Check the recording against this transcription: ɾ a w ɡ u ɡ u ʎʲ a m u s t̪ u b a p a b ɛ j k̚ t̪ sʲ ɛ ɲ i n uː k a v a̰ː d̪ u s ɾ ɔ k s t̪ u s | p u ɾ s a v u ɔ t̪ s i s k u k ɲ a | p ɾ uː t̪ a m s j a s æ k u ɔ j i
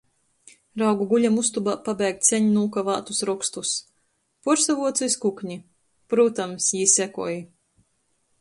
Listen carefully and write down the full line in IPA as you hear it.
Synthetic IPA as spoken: ɾ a w ɡ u ɡ u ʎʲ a m u s t̪ u b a p a b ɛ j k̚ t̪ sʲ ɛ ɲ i n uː k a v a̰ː t̪ u s ɾ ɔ k s t̪ u s | p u ɾ s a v u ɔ t̪ s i s k u k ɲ i | p ɾ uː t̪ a m s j i s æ k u ɔ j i